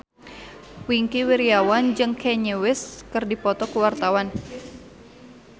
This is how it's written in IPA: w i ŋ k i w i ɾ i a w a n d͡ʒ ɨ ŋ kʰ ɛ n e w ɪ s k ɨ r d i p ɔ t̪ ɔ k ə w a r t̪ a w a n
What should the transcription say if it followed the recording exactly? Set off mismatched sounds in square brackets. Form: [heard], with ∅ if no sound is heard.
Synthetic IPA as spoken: w i ŋ k i w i ɾ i a w a n d͡ʒ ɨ ŋ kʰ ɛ [ɲ] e w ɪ s k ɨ r d i p ɔ t̪ ɔ k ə w a r t̪ a w a n